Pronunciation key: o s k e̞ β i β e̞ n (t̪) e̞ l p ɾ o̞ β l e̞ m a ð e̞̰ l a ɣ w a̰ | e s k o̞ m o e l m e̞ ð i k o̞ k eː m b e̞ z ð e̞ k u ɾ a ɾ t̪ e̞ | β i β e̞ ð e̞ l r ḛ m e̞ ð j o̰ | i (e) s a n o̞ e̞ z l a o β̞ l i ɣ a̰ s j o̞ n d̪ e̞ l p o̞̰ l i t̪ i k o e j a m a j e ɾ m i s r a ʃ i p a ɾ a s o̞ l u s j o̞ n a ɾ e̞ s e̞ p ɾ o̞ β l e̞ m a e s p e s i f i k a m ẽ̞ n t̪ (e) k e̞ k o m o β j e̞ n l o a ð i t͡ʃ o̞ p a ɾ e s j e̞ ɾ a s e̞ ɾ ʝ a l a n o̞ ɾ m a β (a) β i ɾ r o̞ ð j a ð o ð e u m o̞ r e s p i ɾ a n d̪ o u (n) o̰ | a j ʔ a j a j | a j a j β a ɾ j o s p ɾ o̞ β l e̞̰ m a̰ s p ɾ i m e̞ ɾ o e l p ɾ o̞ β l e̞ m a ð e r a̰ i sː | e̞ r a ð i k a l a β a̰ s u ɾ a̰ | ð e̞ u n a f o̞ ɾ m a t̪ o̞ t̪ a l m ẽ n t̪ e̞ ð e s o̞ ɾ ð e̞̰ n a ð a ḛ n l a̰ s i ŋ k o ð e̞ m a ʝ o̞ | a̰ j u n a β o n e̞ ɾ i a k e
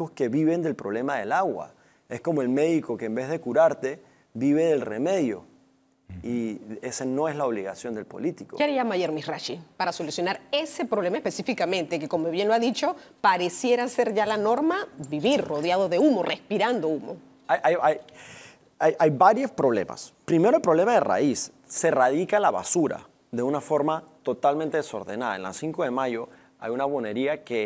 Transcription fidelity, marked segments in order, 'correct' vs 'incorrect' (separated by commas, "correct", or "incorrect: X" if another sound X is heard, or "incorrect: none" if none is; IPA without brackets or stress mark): incorrect: d̪, correct, correct, incorrect: i, incorrect: m